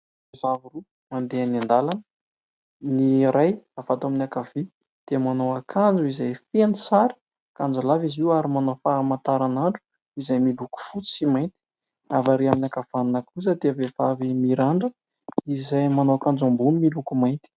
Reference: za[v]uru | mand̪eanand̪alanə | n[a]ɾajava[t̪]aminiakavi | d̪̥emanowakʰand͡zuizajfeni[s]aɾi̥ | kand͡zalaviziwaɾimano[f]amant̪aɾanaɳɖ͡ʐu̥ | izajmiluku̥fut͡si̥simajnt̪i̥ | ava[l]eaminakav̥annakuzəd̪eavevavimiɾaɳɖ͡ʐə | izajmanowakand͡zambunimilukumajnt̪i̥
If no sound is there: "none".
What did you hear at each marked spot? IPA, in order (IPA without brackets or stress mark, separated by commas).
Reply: v, i, t̪, s, f, ɾ